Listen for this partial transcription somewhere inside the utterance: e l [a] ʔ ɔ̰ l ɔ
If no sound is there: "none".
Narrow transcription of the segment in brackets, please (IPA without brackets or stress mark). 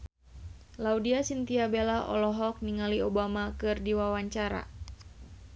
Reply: a